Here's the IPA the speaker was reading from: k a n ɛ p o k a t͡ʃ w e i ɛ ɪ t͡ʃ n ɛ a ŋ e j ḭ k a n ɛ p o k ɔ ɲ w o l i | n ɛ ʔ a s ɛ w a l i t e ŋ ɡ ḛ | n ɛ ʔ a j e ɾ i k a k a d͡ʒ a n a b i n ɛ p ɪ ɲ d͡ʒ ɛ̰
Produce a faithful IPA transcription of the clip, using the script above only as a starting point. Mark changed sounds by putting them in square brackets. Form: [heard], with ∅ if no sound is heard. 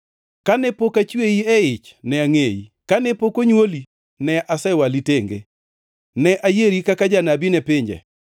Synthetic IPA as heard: k a n ɛ p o k a t͡ʃ w e i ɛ ɪ t͡ʃ n ɛ a ŋ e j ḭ k a n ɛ p o k [o] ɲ w o l i | n ɛ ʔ a s ɛ w a l i t e ŋ ɡ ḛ | n ɛ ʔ a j e ɾ i k a k a d͡ʒ a n a b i n ɛ p ɪ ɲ d͡ʒ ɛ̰

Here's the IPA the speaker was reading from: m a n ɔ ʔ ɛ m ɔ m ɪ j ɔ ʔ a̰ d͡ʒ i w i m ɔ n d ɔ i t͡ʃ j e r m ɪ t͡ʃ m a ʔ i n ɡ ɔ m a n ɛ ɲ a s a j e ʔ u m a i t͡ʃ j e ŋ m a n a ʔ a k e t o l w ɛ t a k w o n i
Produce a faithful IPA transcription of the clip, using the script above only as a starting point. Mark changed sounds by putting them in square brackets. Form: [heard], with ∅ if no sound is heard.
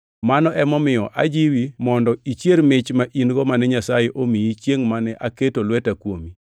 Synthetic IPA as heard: m a n ɔ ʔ ɛ m ɔ m ɪ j ɔ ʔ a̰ d͡ʒ i w i m ɔ n d ɔ i t͡ʃ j e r m ɪ t͡ʃ m a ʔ i n ɡ ɔ m a n ɛ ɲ a s a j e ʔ [o] m [i] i t͡ʃ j e ŋ m a n [ɛ] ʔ a k e t o l w ɛ t a k w o [m] i

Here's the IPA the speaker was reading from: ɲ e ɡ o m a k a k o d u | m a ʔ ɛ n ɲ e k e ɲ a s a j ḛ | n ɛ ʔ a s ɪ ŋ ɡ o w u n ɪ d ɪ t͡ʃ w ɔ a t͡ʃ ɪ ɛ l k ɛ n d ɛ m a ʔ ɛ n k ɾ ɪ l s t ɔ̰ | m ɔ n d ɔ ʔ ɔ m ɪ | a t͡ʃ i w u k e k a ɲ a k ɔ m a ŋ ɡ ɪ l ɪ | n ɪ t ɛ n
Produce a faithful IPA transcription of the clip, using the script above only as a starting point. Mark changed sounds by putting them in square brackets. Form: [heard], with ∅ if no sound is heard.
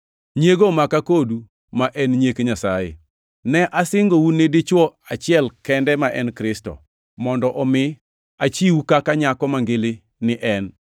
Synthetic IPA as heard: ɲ e ɡ o m a k a k o d u | m a ʔ ɛ n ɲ e k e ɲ a s a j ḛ | n ɛ ʔ a s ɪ ŋ ɡ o w u n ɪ d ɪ t͡ʃ w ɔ a t͡ʃ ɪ ɛ l k ɛ n d ɛ m a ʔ ɛ n k ɾ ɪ [∅] s t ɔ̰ | m ɔ n d ɔ ʔ ɔ m ɪ | a t͡ʃ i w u k [a] k a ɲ a k ɔ m a ŋ ɡ ɪ l ɪ | n ɪ [ʔ] ɛ n

